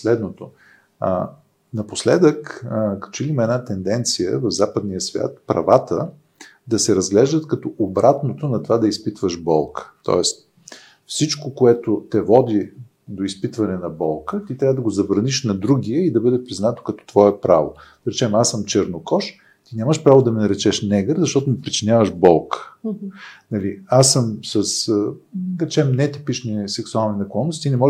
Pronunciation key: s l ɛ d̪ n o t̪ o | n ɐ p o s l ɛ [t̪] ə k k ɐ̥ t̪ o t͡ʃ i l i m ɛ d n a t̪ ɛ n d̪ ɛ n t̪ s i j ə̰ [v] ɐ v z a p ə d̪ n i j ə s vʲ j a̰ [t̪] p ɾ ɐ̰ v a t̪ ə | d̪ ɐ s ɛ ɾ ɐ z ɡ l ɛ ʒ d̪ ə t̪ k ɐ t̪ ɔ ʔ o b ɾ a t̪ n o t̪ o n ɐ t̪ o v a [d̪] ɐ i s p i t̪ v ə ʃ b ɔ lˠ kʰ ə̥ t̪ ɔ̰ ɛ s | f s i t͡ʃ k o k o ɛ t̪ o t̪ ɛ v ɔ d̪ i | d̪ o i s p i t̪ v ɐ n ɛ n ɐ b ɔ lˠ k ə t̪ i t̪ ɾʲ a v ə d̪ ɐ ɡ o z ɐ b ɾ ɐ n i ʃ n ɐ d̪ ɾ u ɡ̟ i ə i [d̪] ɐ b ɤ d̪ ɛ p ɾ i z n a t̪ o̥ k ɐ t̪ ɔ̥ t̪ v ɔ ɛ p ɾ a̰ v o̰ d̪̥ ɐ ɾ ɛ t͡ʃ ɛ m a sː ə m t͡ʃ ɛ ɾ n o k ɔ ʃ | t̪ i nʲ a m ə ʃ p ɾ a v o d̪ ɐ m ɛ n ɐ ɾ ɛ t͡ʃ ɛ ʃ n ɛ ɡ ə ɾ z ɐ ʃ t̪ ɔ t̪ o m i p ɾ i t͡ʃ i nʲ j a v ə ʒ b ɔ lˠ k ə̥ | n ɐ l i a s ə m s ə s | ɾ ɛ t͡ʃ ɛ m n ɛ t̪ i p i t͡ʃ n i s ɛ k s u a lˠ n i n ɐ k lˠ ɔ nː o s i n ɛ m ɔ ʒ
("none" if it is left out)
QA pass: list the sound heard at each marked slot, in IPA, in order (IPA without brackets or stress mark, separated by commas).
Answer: d̪, v, t̪, d̪, d̪